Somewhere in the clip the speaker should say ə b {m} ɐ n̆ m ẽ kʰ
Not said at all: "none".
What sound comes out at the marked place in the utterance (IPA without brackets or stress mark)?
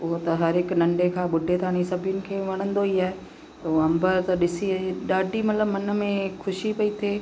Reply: m